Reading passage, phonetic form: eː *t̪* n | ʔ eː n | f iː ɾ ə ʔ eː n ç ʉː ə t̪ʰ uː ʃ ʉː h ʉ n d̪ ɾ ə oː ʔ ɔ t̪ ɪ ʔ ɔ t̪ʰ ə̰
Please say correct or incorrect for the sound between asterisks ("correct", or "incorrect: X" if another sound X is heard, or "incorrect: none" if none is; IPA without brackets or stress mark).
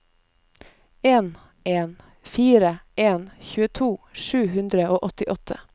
incorrect: none